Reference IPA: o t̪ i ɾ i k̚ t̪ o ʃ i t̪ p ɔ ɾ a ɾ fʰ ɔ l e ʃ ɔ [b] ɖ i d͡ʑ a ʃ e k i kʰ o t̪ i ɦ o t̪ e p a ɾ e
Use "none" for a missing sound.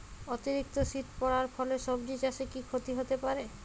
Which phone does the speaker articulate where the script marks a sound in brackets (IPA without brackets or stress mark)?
b